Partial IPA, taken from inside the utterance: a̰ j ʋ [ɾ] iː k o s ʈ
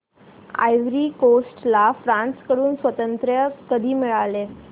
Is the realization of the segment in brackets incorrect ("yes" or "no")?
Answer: no